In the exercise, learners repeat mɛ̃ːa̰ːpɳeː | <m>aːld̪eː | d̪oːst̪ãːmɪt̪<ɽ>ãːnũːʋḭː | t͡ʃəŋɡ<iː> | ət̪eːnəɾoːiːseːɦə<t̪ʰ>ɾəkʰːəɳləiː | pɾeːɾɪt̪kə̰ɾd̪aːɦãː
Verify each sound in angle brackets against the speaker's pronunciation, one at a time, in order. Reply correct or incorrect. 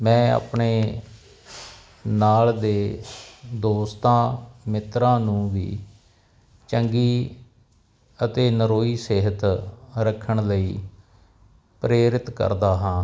incorrect, incorrect, correct, incorrect

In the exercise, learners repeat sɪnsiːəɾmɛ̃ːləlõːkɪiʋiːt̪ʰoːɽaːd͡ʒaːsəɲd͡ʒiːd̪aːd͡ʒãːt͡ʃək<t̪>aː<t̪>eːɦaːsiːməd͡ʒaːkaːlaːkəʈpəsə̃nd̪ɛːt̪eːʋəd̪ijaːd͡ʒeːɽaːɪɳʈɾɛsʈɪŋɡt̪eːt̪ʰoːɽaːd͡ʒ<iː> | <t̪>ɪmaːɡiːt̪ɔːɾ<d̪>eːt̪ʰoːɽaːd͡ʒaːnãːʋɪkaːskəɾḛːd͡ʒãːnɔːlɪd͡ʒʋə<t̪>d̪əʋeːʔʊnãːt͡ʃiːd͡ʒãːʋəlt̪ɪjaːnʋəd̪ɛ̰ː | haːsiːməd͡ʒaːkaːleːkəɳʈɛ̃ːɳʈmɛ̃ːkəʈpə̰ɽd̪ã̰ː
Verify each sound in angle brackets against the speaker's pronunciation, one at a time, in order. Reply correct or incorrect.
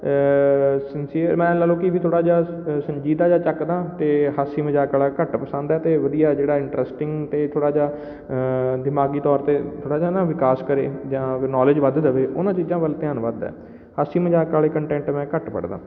incorrect, correct, incorrect, incorrect, incorrect, incorrect

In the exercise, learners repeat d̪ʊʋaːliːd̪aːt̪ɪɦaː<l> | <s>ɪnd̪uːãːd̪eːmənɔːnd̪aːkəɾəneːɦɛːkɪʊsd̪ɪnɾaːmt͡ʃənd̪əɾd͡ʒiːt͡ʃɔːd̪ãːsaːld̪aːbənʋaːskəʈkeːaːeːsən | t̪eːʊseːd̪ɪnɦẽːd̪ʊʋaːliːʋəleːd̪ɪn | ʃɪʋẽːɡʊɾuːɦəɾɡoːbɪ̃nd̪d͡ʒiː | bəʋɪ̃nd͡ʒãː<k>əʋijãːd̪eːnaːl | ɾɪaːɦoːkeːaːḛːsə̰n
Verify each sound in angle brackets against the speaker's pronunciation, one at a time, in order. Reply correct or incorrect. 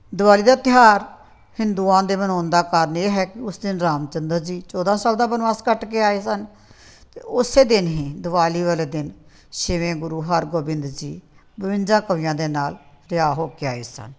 incorrect, incorrect, correct

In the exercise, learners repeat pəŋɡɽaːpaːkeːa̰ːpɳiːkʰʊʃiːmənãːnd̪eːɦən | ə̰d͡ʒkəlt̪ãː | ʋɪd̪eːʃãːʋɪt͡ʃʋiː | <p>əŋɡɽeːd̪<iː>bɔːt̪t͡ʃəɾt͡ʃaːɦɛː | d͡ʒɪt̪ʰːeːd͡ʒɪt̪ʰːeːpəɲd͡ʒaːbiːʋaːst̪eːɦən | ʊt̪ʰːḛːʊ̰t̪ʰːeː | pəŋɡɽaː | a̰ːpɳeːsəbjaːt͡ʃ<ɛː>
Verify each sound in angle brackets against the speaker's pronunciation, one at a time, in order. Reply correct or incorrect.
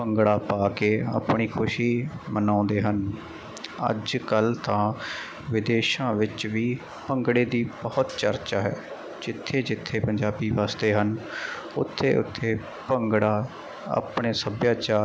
correct, correct, incorrect

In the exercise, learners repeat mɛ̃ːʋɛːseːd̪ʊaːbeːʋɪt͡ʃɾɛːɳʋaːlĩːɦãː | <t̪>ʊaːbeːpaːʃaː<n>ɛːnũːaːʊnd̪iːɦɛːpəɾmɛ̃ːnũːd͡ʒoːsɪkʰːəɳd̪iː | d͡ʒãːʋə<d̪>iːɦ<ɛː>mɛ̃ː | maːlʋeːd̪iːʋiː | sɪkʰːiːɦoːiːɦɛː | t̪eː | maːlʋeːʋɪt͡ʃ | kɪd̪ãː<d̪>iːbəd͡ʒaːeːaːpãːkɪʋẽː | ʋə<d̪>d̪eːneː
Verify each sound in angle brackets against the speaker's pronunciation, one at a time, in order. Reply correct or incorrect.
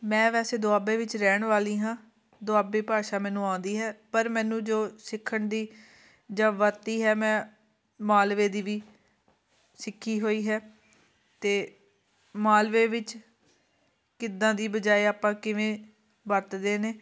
incorrect, incorrect, incorrect, correct, correct, incorrect

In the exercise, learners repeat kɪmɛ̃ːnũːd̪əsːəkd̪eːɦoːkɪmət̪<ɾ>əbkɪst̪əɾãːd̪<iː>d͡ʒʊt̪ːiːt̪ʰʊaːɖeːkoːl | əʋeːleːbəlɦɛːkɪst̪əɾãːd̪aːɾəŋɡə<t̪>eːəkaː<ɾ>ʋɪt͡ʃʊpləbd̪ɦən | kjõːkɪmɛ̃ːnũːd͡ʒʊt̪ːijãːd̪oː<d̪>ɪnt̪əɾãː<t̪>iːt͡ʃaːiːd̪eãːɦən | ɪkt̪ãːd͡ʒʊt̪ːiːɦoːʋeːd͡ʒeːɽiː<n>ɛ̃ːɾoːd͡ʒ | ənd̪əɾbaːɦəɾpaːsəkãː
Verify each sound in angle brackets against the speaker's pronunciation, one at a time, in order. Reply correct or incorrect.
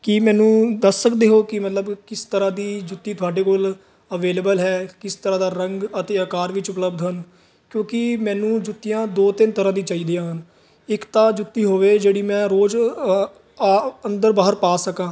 incorrect, correct, correct, correct, incorrect, incorrect, incorrect

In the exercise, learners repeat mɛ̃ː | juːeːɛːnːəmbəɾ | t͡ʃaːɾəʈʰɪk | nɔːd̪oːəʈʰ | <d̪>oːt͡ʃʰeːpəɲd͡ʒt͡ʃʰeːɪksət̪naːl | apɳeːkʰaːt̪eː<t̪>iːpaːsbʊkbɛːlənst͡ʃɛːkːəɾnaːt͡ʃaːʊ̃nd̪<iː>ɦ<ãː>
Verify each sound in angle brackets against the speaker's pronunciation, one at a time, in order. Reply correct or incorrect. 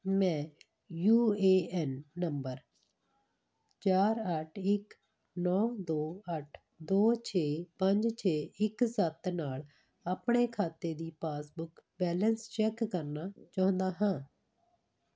correct, incorrect, incorrect, correct

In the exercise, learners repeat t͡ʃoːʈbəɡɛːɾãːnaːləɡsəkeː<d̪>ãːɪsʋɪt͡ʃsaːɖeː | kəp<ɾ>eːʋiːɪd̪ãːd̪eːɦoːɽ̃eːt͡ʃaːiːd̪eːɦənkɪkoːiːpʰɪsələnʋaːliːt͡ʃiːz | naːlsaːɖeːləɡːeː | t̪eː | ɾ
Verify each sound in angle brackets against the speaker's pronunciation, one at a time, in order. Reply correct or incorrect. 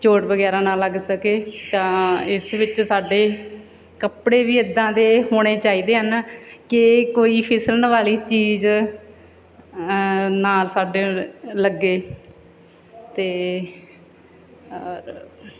incorrect, incorrect

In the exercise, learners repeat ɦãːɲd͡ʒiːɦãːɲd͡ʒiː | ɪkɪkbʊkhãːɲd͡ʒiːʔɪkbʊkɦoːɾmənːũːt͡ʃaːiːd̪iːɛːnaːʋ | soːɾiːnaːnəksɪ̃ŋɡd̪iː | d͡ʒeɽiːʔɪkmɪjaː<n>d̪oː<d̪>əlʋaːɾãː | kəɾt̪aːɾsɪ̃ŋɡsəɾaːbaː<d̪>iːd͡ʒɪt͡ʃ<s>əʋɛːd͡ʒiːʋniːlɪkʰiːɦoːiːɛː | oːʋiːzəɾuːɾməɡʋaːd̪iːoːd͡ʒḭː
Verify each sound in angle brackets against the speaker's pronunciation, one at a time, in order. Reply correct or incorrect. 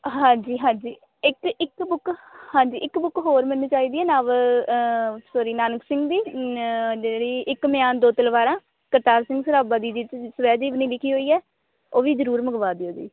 correct, incorrect, correct, correct

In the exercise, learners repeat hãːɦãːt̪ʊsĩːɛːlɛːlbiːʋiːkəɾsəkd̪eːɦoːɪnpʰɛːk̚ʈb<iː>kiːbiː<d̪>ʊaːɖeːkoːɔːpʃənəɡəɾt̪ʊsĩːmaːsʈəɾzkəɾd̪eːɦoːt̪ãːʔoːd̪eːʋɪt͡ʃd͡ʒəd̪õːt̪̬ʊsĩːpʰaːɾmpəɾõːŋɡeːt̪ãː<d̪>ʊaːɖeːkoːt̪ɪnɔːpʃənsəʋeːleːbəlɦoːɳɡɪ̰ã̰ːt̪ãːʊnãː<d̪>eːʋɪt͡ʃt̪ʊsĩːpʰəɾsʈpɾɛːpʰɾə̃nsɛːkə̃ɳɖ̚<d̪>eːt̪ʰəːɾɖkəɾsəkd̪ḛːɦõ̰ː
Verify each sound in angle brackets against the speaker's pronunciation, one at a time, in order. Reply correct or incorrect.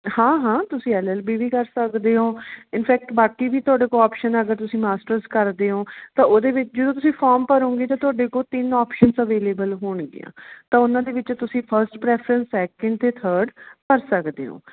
incorrect, incorrect, incorrect, correct, incorrect

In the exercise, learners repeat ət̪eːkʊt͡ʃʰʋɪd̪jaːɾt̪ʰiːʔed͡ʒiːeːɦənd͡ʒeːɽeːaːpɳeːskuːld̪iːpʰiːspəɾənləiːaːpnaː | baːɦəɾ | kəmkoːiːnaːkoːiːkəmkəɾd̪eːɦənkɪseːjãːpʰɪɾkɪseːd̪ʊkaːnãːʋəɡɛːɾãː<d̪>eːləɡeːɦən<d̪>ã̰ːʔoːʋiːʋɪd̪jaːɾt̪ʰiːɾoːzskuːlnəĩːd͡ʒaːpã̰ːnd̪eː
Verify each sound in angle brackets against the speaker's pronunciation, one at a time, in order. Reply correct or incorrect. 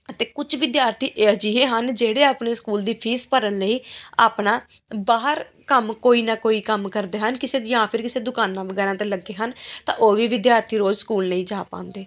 incorrect, incorrect

